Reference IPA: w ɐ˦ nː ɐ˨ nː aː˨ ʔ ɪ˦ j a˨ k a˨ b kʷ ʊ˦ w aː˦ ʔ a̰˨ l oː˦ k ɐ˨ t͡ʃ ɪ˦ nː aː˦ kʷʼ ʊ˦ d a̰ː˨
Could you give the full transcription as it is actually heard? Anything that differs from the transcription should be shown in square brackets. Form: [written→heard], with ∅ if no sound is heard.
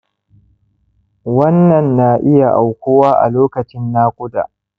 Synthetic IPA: w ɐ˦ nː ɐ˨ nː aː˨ ʔ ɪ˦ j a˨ [k→ʔ] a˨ [b→w] kʷ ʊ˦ w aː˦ ʔ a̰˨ l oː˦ k ɐ˨ t͡ʃ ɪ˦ nː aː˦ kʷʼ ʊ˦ d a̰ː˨